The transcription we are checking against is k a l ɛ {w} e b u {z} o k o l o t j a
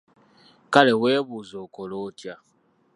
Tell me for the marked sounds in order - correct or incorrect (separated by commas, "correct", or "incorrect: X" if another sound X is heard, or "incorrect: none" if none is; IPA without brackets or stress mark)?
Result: correct, correct